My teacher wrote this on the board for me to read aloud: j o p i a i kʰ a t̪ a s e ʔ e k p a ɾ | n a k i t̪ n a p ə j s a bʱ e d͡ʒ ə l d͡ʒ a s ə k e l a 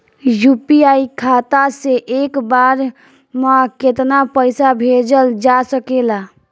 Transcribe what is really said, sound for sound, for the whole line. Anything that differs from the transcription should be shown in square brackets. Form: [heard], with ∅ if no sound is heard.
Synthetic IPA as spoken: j [u] p i a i kʰ a t̪ a s e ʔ e k [b] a ɾ | [m] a k [e] t̪ n a p ə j s a bʱ e d͡ʒ ə l d͡ʒ a s ə k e l a

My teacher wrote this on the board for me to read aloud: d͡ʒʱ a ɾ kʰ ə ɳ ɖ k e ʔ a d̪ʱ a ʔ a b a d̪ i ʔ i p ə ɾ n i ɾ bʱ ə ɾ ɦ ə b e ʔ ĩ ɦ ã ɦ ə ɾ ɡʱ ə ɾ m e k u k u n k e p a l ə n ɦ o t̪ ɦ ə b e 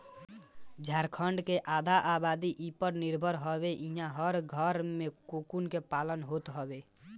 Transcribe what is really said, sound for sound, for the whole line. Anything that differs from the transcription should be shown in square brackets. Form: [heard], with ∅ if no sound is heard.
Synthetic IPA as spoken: d͡ʒʱ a ɾ kʰ ə ɳ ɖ k e ʔ a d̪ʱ a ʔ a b a d̪ i ʔ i p ə ɾ n i ɾ bʱ ə ɾ ɦ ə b e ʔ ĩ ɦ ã ɦ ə ɾ ɡʱ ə ɾ m e k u k u n k e p a l ə n ɦ o t̪ ɦ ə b e

